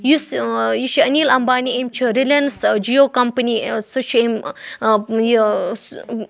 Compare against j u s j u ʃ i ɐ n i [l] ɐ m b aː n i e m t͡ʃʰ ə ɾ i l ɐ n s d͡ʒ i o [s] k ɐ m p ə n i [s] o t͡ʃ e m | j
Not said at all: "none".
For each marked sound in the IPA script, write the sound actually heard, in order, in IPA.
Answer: l, none, s

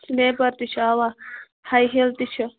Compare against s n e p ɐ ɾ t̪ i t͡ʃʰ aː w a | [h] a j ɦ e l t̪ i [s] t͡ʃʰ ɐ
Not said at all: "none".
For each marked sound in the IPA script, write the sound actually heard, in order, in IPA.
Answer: h, none

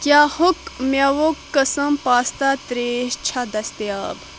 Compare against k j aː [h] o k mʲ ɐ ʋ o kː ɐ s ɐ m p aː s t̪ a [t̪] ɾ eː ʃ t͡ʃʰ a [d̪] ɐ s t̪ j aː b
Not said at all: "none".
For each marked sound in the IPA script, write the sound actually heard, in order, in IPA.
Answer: h, t̪, d̪

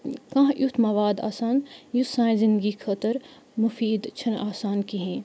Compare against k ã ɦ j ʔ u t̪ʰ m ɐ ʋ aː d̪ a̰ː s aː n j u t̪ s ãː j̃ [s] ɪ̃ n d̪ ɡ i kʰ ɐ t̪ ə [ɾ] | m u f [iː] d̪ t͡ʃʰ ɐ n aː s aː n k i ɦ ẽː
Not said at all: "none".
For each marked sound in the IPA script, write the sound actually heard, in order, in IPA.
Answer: z, ɾ, iː

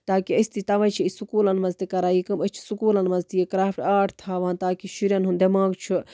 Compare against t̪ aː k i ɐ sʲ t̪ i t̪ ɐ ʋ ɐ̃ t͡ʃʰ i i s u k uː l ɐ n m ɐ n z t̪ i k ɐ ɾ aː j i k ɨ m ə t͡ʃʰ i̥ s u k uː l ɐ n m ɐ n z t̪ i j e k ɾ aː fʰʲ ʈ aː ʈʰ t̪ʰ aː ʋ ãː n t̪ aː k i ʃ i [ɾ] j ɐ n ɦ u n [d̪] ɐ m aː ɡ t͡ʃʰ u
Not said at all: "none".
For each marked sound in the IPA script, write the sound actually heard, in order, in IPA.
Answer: ɾ, d̪

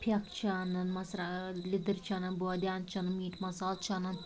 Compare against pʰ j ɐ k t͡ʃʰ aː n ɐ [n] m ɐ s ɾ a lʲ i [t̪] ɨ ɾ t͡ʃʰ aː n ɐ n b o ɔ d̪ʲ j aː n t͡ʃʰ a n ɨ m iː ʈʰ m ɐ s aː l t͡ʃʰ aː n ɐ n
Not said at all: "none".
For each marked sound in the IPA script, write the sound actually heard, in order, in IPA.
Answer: n, d̪

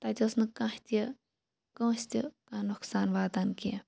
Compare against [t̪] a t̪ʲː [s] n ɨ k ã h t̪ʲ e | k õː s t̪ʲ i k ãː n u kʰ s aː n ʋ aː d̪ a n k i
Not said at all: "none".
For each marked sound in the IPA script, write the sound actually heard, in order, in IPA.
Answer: t̪, s

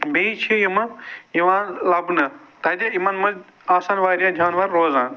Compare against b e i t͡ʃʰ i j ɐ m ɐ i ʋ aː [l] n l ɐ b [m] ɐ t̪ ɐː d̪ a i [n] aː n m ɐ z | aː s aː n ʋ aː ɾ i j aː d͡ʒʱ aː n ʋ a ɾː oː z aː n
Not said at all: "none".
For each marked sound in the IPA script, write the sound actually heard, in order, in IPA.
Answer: none, n, m

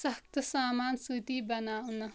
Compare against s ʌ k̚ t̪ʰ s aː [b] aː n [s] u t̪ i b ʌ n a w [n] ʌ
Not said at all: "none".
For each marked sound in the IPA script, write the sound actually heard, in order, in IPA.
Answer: m, s, n

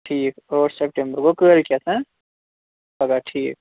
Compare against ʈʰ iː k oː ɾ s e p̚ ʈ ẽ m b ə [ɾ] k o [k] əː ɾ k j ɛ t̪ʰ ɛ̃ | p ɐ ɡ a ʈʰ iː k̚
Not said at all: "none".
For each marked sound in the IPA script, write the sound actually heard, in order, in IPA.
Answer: ɾ, k

